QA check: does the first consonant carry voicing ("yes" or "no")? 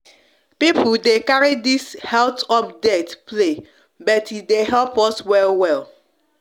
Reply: no